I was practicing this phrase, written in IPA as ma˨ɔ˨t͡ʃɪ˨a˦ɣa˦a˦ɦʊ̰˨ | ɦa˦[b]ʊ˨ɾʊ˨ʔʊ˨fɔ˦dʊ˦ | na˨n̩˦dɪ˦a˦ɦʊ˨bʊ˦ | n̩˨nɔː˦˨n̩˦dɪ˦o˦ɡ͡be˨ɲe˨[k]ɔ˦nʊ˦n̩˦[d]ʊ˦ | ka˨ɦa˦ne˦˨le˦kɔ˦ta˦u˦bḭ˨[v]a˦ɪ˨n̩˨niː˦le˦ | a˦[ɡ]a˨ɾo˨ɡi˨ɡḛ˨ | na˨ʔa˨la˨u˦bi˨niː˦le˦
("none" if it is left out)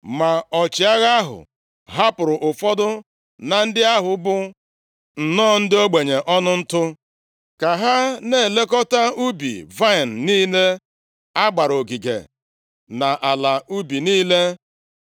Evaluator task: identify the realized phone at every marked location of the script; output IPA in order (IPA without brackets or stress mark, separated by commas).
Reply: p, ʔ, t, v, ɡ͡b